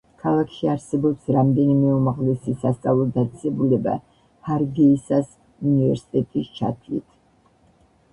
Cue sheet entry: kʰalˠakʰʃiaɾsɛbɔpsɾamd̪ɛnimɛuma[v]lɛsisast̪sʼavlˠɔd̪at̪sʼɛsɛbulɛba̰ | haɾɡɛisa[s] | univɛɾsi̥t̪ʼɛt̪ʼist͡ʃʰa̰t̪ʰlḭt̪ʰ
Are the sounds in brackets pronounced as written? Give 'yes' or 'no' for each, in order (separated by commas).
no, yes